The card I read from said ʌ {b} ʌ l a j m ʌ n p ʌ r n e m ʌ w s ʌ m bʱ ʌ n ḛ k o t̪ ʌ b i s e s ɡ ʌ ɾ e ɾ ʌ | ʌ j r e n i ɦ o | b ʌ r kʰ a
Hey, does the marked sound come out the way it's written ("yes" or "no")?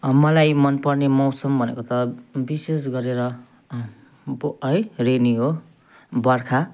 no